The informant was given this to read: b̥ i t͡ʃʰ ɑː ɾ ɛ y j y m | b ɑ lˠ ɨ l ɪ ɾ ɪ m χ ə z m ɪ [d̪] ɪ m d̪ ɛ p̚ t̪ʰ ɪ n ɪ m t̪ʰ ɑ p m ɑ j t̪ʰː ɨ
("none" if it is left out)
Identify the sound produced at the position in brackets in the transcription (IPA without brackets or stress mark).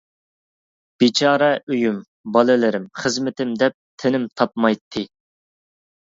t̪